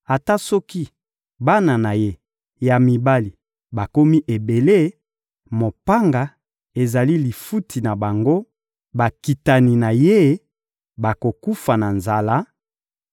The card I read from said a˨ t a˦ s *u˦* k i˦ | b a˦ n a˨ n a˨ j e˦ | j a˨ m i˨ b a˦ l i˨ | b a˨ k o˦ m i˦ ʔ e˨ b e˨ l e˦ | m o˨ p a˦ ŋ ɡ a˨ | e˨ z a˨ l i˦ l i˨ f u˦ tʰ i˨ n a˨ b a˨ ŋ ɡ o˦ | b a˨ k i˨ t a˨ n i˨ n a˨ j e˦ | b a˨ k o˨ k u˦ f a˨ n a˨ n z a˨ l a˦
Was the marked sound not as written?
yes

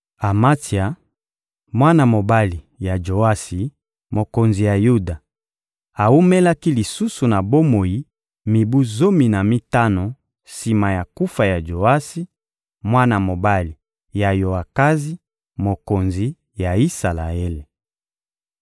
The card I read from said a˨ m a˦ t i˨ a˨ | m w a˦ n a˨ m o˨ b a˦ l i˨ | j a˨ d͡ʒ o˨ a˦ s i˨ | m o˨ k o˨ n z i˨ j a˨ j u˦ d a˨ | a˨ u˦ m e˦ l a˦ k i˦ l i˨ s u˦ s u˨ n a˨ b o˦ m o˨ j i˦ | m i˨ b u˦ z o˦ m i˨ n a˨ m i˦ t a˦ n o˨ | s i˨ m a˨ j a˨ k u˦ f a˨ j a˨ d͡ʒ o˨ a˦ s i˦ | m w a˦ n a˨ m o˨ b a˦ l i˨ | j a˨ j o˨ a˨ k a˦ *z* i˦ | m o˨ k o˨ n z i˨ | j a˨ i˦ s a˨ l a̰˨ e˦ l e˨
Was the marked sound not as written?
no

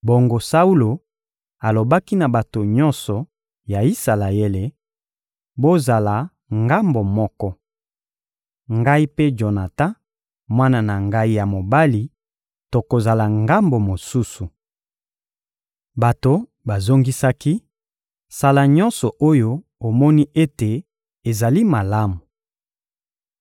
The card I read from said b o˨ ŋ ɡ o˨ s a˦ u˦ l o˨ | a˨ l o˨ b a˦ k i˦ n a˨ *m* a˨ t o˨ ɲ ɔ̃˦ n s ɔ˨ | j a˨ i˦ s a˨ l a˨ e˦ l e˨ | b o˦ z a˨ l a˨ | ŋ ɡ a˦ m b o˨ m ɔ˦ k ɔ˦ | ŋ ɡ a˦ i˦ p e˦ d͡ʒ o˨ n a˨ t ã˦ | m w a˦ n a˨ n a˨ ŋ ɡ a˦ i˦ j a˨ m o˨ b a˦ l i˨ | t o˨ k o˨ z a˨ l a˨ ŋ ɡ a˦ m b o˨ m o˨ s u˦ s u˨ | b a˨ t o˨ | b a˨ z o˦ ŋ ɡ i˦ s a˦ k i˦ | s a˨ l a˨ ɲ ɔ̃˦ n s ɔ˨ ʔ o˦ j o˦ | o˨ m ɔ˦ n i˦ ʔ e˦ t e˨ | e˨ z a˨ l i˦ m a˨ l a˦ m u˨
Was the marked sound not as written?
yes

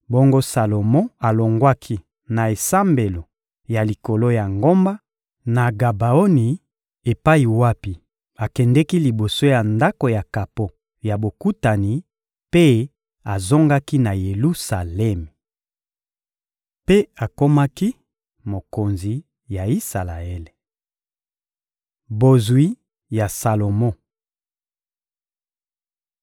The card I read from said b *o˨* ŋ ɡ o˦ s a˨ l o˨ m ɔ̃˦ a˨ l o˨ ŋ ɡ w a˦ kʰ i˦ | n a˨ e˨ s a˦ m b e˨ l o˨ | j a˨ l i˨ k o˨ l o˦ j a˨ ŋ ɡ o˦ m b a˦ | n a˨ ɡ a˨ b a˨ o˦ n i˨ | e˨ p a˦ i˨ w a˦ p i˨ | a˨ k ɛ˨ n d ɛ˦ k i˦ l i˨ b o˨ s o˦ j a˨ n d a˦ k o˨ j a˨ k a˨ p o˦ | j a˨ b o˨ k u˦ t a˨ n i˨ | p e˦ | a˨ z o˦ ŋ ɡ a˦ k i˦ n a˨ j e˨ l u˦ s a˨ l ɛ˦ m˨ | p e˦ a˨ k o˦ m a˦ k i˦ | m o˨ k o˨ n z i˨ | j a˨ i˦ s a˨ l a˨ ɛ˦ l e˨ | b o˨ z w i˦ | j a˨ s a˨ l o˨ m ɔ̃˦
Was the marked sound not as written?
yes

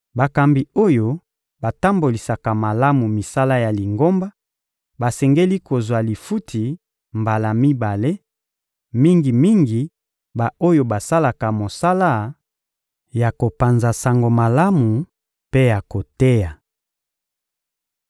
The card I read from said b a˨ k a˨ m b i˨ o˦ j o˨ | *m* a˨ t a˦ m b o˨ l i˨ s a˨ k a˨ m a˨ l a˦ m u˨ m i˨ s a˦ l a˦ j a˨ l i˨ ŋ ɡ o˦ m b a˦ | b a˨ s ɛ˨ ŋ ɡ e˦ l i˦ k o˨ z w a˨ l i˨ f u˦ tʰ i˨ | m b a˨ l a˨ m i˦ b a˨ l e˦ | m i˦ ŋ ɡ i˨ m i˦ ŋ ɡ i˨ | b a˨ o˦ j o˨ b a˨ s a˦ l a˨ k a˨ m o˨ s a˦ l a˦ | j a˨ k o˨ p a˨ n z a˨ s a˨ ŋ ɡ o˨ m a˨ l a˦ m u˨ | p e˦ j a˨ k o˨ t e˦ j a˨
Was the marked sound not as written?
yes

